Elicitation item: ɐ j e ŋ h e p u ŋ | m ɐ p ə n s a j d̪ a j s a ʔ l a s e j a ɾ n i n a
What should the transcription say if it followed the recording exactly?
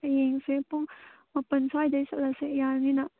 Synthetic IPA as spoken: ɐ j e ŋ s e p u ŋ | m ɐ p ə n s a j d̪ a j s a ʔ l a s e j a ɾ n i n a